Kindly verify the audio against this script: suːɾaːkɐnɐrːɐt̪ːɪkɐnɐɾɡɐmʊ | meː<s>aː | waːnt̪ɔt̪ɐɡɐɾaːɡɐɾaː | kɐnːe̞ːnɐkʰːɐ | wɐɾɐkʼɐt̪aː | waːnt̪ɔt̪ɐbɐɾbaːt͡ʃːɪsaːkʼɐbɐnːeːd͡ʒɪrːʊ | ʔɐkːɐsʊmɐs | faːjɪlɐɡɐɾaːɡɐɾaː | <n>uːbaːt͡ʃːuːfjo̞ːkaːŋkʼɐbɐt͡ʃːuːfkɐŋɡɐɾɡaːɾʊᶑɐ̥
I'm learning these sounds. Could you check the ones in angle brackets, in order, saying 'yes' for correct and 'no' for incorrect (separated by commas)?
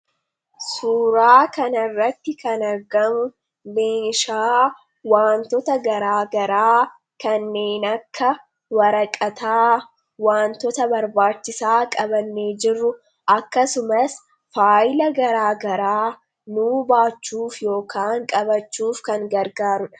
no, yes